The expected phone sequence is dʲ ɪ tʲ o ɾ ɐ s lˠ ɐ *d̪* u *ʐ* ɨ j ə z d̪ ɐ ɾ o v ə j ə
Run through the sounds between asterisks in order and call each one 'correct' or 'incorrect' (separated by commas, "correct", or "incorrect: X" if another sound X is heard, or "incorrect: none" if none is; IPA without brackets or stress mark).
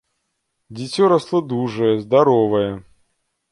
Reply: correct, correct